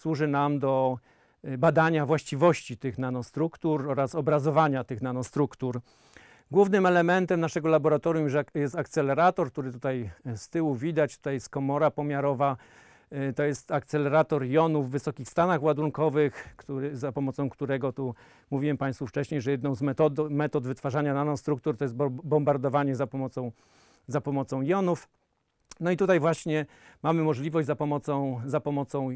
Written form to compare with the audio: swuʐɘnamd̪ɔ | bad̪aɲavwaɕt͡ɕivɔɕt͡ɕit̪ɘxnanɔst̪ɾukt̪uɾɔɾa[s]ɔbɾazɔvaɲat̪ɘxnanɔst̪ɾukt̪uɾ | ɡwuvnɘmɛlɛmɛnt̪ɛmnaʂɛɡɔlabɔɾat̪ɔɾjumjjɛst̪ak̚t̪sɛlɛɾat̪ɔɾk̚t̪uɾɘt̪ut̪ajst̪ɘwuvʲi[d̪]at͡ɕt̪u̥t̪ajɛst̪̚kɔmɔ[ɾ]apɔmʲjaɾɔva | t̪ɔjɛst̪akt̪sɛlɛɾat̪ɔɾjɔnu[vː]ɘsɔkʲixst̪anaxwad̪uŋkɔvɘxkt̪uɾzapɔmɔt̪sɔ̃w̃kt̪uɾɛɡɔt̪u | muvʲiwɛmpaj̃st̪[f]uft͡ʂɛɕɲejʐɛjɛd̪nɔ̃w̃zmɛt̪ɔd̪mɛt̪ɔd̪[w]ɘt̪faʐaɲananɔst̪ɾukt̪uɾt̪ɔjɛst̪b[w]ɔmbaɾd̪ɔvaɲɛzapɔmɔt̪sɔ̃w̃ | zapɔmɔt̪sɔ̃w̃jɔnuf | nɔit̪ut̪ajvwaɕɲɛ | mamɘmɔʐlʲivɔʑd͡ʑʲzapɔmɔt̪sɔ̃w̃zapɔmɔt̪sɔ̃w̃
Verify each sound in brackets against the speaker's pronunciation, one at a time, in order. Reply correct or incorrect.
correct, correct, correct, correct, correct, incorrect, incorrect

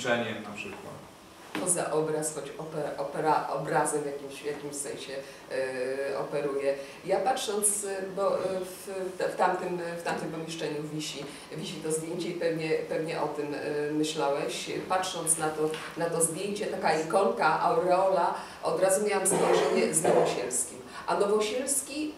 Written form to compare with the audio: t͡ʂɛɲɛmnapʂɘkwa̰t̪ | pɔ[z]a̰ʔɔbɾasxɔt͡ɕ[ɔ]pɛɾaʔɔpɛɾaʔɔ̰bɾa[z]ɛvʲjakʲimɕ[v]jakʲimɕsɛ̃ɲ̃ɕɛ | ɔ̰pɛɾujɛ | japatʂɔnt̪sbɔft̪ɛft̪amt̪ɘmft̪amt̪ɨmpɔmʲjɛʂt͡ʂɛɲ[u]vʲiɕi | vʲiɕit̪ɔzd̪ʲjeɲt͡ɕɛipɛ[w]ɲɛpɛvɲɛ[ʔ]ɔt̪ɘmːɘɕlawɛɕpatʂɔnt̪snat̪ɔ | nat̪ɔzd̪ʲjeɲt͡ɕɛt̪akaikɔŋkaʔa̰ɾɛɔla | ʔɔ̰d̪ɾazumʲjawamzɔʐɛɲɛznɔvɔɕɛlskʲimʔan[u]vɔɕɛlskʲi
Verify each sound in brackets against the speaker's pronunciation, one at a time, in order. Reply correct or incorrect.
correct, correct, correct, correct, correct, incorrect, correct, incorrect

